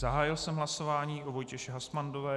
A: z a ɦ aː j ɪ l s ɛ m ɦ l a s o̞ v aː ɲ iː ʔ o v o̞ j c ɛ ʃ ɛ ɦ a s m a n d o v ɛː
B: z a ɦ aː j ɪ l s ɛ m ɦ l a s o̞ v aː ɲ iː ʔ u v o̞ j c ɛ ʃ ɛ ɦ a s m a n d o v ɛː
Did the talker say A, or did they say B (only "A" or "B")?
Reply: A